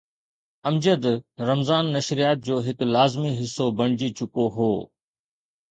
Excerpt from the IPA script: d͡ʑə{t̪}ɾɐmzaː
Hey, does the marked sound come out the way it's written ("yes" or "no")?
no